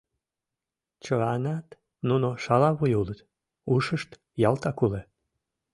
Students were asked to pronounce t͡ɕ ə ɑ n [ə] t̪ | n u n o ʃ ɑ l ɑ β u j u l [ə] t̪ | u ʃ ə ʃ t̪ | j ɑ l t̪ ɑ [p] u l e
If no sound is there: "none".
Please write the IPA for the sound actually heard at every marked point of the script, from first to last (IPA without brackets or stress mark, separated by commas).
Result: ɑ, ə, k